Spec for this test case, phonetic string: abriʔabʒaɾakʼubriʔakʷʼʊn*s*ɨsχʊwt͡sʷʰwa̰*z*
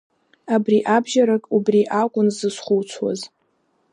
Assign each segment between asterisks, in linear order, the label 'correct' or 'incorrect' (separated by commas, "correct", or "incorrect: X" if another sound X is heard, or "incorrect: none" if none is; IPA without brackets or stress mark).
incorrect: z, correct